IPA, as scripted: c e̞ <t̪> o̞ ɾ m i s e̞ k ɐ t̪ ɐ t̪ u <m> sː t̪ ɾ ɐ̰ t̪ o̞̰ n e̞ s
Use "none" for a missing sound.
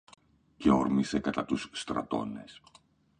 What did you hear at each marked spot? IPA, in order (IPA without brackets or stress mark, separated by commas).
none, none